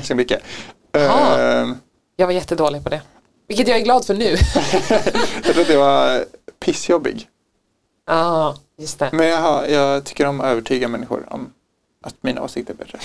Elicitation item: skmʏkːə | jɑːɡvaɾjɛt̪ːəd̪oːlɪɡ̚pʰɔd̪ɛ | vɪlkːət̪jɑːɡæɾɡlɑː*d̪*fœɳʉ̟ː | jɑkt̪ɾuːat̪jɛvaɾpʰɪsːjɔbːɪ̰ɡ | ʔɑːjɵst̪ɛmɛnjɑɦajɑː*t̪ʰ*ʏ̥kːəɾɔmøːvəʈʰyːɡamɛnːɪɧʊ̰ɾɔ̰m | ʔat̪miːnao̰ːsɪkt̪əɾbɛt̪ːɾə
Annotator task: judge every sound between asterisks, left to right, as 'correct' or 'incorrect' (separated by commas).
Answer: correct, correct